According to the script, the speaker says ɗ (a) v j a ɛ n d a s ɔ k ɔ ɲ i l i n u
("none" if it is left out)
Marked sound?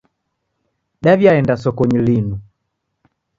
a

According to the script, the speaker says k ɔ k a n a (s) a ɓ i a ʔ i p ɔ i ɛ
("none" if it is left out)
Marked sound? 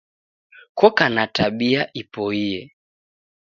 t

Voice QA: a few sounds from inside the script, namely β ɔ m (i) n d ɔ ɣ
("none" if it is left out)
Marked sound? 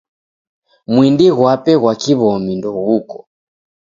i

